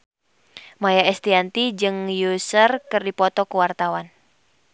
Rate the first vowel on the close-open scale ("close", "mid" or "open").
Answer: open